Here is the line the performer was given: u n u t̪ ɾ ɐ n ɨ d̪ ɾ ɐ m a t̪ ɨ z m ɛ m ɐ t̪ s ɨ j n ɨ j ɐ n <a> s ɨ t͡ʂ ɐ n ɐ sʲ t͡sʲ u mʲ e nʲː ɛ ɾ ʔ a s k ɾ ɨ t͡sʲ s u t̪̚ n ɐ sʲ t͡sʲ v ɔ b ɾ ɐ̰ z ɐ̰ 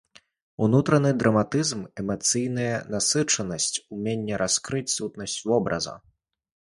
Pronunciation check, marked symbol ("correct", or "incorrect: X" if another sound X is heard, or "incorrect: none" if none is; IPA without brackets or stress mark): correct